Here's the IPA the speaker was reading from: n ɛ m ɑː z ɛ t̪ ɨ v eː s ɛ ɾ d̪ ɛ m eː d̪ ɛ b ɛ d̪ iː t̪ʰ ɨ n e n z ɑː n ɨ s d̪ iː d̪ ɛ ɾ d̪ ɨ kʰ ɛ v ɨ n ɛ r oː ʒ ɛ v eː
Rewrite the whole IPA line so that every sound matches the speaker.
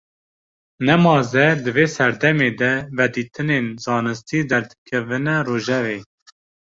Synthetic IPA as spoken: n ɛ m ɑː z ɛ d̪ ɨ v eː s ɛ ɾ d̪ ɛ m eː d̪ ɛ v ɛ d̪ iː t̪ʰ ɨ n e n z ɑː n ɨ s t̪ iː d̪ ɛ ɾ d̪ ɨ kʰ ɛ v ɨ n ɛ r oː ʒ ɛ v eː